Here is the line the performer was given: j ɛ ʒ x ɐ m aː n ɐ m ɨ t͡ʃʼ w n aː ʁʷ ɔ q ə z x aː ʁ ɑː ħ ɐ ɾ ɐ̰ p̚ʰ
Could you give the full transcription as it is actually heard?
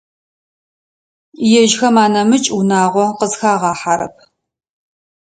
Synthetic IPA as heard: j ɛ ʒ x ɐ m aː n ɐ m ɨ t͡ʃʼ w n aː ʁʷ ɔ q ə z x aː ʁ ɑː ħ a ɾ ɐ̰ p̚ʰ